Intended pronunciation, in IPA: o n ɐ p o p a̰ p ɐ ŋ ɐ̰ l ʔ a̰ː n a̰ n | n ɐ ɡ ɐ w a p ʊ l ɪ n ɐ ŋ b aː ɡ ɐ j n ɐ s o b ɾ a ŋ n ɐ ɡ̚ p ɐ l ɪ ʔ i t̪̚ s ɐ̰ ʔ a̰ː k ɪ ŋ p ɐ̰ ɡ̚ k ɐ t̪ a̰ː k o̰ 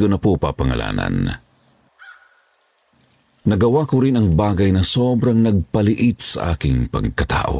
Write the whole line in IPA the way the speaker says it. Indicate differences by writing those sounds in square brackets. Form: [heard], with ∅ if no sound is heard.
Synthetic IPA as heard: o n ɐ p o p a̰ p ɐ ŋ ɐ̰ l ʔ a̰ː n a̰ n | n ɐ ɡ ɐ w a [k] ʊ [ɾ] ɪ n ɐ ŋ b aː ɡ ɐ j n ɐ s o b ɾ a ŋ n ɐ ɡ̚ p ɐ l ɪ ʔ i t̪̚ s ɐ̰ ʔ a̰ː k ɪ ŋ p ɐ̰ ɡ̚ k ɐ t̪ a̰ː [ʔ] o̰